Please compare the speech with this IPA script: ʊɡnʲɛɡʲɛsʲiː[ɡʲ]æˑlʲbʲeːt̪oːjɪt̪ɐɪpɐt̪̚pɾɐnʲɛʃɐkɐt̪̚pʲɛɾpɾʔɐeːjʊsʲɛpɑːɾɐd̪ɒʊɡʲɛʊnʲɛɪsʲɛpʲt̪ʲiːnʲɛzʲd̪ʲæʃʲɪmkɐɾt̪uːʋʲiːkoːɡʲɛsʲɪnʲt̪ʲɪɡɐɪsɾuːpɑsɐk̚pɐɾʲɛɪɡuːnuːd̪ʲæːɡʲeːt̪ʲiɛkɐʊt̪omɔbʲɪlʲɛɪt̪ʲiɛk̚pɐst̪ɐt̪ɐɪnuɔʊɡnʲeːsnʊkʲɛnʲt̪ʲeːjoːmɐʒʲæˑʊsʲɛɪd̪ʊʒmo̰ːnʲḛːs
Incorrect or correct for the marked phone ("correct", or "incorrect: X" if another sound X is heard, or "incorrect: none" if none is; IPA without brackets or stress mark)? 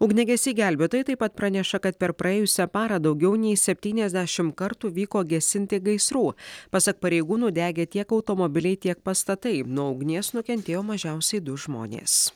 correct